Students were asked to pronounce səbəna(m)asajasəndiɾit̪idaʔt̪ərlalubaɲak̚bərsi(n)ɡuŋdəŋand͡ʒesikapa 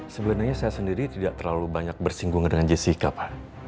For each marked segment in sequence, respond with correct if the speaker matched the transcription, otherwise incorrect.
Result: incorrect, incorrect

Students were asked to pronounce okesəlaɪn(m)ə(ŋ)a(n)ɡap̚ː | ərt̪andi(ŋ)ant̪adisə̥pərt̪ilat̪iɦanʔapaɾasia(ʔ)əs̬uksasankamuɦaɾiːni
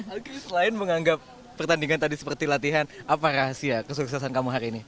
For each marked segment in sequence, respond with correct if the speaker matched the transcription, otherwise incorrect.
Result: correct, correct, incorrect, correct, incorrect

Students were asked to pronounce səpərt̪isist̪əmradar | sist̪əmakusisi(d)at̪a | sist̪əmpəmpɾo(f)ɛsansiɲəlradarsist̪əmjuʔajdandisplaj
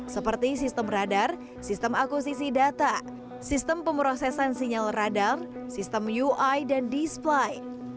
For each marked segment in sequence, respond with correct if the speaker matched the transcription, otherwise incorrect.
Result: correct, incorrect

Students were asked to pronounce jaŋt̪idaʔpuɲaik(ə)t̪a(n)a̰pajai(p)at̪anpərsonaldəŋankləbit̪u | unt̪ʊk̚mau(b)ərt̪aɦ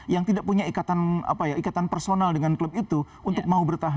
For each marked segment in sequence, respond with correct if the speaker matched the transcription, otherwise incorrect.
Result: incorrect, correct, incorrect, correct

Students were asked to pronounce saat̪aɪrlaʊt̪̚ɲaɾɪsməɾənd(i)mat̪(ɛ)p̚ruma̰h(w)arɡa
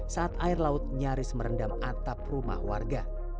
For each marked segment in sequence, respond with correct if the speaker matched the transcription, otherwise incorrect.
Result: incorrect, incorrect, correct

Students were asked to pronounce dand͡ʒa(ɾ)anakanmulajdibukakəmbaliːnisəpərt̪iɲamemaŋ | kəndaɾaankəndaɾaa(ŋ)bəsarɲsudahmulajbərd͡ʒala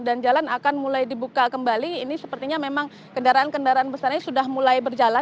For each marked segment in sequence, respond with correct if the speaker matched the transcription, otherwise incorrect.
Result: incorrect, incorrect

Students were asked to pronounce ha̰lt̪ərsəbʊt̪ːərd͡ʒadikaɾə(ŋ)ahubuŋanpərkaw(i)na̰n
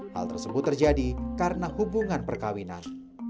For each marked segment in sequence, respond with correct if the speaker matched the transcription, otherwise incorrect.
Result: incorrect, correct

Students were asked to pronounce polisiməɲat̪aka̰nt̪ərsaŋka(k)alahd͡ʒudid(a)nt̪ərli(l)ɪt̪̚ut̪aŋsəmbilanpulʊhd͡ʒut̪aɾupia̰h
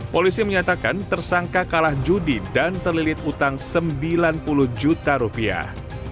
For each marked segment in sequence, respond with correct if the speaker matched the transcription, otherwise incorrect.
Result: correct, correct, correct

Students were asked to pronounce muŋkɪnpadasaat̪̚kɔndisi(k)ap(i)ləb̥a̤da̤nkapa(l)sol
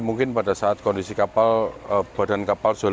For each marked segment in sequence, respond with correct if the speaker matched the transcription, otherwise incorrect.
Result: correct, incorrect, correct

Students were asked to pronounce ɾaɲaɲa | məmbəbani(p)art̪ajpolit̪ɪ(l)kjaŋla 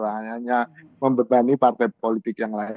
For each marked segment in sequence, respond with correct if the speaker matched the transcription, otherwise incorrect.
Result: correct, incorrect

